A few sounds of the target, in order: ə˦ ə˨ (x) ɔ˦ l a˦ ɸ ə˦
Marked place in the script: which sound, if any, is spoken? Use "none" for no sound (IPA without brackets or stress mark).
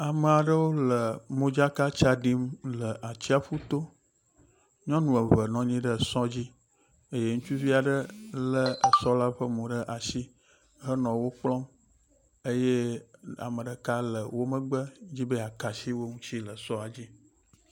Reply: s